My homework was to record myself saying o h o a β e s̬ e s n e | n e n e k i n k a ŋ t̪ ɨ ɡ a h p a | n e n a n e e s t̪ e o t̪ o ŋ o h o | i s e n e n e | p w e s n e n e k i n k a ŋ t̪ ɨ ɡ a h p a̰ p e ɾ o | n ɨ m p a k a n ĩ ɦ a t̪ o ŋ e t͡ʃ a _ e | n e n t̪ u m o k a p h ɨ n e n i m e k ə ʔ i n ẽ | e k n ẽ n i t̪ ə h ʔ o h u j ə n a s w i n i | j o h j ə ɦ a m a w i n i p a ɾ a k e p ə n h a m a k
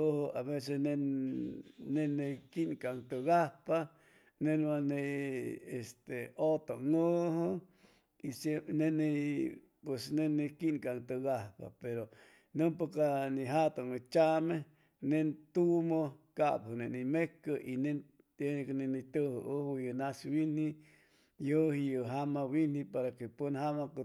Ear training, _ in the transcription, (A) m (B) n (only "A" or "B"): A